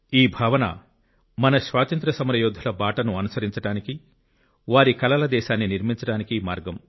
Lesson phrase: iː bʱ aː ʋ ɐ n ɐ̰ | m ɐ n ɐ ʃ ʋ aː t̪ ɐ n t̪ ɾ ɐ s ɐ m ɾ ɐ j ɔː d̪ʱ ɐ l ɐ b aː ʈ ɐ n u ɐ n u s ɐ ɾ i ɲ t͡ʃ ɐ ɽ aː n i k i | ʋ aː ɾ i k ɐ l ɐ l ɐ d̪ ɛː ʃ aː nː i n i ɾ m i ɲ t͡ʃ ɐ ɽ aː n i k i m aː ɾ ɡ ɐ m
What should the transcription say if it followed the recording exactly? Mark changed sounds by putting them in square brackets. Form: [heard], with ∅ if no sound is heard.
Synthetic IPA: iː bʱ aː ʋ ɐ n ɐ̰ | m ɐ n ɐ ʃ ʋ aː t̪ ɐ n t̪ ɾ ɐ s ɐ m ɾ ɐ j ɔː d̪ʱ ɐ l ɐ b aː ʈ ɐ n u ɐ n u s ɐ ɾ i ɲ t͡ʃ ɐ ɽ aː n i k i | ʋ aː ɾ i k ɐ l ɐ l ɐ d̪ ɛː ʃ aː nː i n i ɾ m i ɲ t͡ʃ ɐ ɽ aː n i k i m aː ɾ ɡ ɐ m